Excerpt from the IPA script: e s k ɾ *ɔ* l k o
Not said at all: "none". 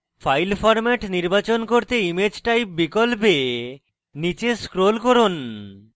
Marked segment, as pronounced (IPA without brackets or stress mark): o